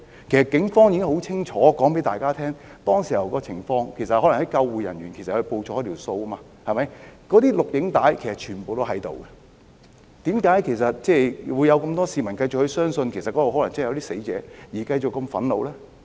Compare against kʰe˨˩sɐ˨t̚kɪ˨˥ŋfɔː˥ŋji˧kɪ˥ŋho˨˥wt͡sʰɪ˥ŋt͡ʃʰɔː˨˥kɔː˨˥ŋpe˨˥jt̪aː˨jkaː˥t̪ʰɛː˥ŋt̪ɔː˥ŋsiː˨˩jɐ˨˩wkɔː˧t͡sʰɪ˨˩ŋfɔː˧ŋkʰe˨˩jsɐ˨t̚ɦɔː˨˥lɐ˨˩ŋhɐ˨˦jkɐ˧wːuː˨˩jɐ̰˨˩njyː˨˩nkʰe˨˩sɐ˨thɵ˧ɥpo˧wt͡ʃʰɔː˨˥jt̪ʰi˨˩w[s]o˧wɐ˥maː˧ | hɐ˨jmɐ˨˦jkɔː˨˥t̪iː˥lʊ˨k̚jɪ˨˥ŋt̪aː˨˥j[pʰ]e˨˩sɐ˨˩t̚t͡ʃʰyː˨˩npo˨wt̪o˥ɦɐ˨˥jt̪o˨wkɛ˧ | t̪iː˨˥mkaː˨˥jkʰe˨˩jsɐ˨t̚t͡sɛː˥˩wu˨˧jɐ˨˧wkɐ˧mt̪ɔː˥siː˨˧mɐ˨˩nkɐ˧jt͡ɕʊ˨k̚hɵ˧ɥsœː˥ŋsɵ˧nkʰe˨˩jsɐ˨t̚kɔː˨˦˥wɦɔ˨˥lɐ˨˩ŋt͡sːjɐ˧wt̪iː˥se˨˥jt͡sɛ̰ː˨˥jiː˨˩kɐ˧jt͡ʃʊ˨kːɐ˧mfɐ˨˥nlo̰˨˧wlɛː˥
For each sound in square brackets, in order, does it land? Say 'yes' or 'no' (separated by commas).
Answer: yes, no